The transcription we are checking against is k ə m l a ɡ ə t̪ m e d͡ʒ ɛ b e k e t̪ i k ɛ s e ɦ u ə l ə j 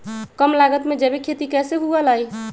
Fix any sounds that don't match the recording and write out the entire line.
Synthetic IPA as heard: k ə m l a ɡ ə t̪ m e d͡ʒ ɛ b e kʰ e t̪ i k ɛ s e ɦ u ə l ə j